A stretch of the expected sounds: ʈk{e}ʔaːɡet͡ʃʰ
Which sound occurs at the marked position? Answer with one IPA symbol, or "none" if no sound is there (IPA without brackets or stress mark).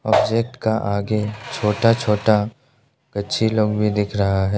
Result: a